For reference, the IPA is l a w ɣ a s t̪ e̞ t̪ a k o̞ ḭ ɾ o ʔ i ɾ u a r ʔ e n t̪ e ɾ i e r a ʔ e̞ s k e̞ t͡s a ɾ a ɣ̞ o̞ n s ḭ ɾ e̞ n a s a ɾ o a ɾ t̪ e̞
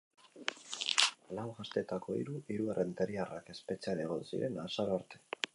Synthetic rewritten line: l a w ɣ a s t̪ e̞ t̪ a k o̞ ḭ ɾ u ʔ i ɾ u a r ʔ e n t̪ e ɾ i a r a k e̞ s p e̞ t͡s a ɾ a ɣ̞ o̞ n s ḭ ɾ e̞ n a s a ɾ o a ɾ t̪ e̞